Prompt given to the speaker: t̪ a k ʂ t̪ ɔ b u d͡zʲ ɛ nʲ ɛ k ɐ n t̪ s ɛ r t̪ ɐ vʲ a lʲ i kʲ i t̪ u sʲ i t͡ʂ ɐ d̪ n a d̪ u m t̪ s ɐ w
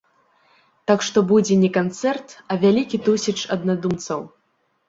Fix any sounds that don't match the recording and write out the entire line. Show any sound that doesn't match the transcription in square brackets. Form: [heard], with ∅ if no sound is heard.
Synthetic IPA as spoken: t̪ a k ʂ t̪ ɔ b u d͡zʲ ɛ nʲ ɛ k [a] n t̪ s ɛ r t̪ ɐ vʲ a lʲ i kʲ i t̪ u sʲ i t͡ʂ ɐ d̪ n a d̪ u m t̪ s ɐ w